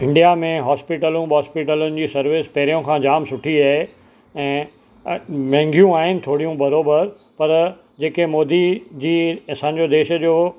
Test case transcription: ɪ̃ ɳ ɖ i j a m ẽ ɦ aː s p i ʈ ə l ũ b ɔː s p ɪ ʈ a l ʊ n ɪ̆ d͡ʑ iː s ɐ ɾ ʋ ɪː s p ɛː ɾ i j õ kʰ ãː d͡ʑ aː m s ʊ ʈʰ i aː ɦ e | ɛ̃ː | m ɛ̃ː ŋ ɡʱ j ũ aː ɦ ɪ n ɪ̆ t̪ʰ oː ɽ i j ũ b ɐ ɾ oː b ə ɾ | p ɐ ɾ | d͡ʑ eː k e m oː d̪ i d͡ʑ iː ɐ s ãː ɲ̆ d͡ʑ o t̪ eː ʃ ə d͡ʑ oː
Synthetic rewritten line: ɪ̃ ɳ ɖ i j a m ẽ ɦ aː s p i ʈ ə l ũ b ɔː s p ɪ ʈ ə l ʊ n ɪ̆ d͡ʑ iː s ɐ ɾ ʋ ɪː s p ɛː ɾ i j õ kʰ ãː d͡ʑ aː m s ʊ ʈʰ i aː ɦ e | ɛ̃ː | m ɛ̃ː ŋ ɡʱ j ũ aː ɦ ɪ n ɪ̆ t̪ʰ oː ɽ i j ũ b ɐ ɾ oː b ə ɾ | p ɐ ɾ | d͡ʑ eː k e m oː d̪ i d͡ʑ iː ɐ s ãː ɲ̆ d͡ʑ o d̪ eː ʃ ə d͡ʑ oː